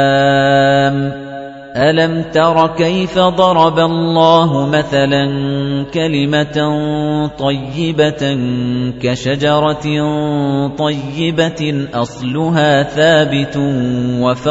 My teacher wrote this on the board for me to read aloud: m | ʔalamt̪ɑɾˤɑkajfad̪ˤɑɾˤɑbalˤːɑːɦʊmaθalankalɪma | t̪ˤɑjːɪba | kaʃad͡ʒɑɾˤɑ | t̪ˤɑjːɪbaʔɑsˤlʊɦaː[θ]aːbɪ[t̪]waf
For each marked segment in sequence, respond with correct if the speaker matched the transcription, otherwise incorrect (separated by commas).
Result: correct, correct